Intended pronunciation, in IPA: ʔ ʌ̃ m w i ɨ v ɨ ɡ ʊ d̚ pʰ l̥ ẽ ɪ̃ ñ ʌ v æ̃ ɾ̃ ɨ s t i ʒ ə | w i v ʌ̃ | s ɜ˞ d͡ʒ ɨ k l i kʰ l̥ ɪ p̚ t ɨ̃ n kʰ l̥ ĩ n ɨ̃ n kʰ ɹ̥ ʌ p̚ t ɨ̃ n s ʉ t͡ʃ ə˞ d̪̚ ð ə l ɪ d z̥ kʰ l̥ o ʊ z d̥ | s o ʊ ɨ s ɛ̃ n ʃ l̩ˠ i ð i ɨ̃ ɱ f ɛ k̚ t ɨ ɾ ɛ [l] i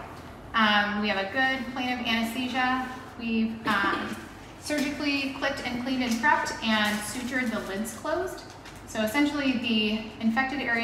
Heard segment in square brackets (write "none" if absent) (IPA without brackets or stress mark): ɹ